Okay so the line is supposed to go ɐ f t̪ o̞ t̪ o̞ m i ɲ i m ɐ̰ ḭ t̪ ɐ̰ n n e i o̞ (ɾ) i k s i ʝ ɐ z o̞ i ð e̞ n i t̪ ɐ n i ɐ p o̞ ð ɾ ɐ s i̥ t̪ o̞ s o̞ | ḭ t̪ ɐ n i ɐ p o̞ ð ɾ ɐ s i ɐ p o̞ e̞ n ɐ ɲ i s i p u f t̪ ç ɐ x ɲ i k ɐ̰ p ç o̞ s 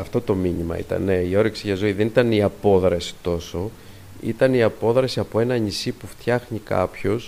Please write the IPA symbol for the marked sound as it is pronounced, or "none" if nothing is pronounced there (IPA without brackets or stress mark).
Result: ɾ